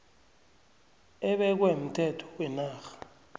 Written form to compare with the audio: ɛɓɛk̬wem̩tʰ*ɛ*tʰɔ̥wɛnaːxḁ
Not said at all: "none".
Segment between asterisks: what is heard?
ɛ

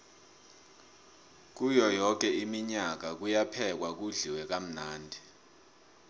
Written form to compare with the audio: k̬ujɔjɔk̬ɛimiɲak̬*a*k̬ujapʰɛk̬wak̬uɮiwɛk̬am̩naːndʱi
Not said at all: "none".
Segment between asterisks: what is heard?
a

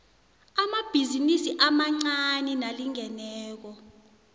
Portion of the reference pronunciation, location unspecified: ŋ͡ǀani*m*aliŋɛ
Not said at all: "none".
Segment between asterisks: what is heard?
n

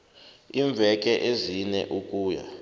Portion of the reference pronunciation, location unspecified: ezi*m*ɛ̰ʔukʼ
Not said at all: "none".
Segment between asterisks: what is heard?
n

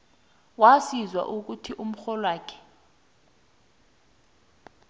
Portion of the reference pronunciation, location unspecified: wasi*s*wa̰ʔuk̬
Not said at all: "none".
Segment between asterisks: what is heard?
z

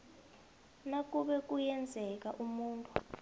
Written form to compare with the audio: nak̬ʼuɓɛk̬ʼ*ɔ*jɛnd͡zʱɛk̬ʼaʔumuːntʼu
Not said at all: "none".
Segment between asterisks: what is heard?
u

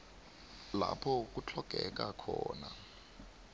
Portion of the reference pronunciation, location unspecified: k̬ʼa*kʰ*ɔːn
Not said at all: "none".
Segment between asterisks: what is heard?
kʰ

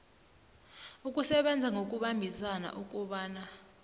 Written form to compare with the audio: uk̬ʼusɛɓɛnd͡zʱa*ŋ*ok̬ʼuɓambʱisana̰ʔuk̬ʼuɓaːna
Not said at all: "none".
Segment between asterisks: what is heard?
ŋ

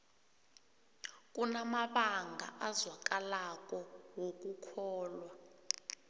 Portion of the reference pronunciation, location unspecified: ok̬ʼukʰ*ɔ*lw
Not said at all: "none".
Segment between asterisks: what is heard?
ɔː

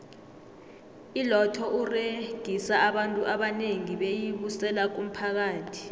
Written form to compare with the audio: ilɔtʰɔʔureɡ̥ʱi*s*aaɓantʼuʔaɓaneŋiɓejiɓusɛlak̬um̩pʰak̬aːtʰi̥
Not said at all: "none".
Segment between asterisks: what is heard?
s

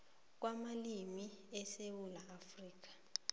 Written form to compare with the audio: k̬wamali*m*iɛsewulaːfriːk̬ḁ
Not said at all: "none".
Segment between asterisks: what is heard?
m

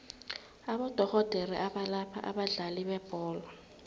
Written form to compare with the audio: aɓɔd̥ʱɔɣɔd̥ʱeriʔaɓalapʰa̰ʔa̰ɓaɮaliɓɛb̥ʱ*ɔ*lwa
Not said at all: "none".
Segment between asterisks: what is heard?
ɔː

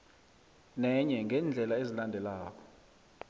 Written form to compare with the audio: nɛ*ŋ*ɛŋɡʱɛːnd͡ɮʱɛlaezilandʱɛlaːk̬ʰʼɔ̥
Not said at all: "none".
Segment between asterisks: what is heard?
ɲ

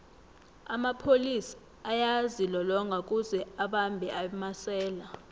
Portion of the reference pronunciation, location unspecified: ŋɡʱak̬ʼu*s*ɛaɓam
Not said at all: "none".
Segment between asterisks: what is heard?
z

